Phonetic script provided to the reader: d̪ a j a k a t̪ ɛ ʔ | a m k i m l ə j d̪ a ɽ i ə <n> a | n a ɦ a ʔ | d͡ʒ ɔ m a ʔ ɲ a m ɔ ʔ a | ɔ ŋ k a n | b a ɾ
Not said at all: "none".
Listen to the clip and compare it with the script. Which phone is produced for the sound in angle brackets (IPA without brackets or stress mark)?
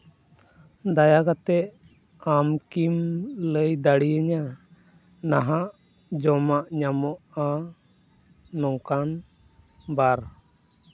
ɲ